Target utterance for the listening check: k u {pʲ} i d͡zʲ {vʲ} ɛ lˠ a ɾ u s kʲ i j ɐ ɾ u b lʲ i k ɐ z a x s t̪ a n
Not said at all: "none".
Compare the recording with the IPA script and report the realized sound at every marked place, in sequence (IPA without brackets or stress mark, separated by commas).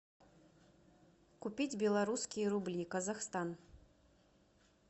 pʲ, bʲ